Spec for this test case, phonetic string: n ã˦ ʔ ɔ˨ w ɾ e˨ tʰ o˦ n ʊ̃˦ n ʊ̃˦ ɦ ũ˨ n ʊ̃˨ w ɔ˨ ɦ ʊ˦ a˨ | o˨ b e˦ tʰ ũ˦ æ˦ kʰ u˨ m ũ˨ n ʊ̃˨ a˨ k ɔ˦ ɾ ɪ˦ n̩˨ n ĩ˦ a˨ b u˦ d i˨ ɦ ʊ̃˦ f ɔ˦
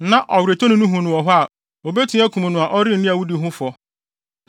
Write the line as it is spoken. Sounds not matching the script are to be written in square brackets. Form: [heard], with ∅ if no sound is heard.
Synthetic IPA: n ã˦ ʔ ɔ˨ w ɾ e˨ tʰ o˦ n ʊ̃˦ n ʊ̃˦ ɦ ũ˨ n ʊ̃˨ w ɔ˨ ɦ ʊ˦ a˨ | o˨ b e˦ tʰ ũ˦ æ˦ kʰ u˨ m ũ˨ n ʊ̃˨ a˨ [ʔ] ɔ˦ ɾ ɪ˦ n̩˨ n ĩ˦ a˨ [w] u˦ d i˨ ɦ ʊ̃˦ f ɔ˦